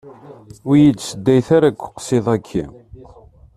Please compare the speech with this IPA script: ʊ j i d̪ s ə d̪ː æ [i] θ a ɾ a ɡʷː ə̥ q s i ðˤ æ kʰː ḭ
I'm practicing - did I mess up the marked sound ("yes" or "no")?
yes